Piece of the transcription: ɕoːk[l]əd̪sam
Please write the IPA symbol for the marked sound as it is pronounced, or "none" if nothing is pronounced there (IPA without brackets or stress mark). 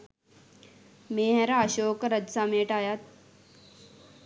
ɾ